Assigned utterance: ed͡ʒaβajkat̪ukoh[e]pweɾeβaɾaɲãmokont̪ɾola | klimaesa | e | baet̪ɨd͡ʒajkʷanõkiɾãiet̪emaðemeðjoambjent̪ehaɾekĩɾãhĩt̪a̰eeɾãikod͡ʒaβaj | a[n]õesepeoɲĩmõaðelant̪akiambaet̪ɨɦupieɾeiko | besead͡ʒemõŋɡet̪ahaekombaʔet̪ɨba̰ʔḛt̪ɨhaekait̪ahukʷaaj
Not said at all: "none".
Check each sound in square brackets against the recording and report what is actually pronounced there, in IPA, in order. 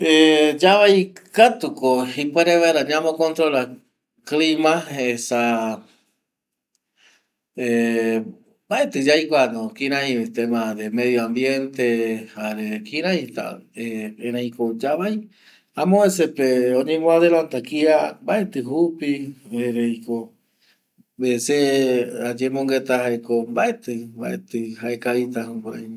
i, m

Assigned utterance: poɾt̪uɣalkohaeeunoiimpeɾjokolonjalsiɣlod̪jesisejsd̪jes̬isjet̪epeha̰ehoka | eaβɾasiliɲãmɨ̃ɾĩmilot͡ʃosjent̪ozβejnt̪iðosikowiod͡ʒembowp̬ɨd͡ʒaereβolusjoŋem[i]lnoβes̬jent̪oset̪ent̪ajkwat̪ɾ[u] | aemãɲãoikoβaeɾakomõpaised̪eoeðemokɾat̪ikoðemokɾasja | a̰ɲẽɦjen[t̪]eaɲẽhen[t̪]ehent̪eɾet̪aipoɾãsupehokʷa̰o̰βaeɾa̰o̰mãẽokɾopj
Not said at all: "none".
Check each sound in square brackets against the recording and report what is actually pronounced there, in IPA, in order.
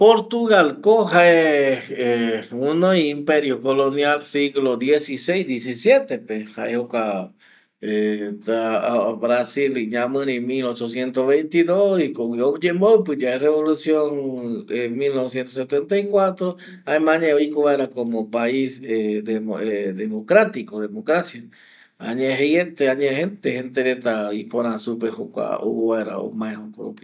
i, o, t̪, t̪

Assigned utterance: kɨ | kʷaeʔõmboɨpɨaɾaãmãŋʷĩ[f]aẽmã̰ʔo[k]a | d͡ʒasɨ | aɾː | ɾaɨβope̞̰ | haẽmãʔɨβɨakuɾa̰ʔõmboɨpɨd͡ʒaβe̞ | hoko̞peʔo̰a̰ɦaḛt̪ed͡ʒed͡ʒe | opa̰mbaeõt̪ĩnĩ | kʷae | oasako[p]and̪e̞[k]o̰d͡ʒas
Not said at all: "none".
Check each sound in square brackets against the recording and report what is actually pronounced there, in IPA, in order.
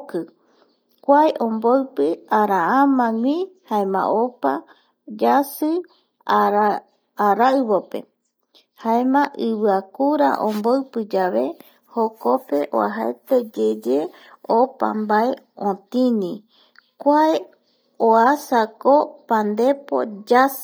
h, p, p, p

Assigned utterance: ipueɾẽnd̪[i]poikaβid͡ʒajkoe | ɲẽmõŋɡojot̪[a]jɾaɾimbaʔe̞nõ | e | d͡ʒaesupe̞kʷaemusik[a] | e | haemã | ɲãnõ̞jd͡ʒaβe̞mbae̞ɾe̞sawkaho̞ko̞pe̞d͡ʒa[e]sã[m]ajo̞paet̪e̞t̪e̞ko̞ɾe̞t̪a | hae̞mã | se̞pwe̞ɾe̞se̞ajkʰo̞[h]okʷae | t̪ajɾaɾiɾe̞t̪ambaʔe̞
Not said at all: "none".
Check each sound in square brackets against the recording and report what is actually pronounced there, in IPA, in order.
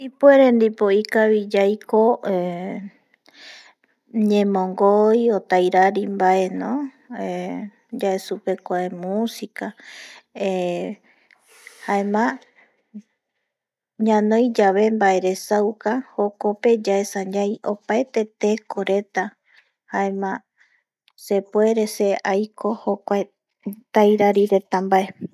i, a, a, e, ɲ, h

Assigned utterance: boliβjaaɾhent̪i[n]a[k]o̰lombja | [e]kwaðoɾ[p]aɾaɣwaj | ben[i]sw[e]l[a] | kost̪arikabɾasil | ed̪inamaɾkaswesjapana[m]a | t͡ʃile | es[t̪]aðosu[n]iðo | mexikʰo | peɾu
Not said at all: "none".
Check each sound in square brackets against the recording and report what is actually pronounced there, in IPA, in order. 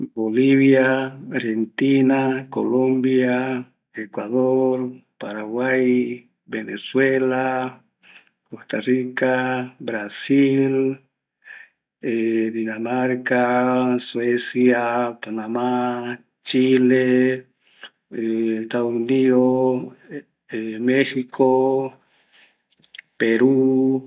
n, k, e, p, e, e, a, m, t̪, n

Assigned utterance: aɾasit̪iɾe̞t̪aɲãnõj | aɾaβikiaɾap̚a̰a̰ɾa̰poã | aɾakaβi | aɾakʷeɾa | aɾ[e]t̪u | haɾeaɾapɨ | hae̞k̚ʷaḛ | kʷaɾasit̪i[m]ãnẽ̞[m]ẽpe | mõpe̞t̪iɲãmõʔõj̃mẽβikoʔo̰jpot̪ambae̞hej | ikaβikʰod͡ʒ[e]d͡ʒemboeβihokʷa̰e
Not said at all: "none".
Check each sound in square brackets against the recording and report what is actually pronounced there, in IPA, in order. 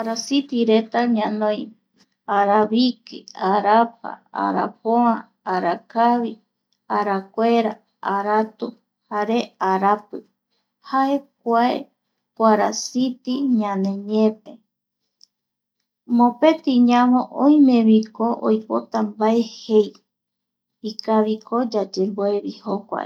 a, ɲ, ɲ, a

